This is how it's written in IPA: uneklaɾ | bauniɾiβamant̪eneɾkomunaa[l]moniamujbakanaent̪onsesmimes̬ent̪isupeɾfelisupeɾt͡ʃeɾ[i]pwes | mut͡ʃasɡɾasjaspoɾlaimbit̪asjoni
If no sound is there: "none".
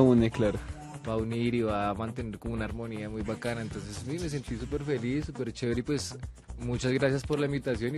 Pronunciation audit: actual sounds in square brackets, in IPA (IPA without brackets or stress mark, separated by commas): ɾ, i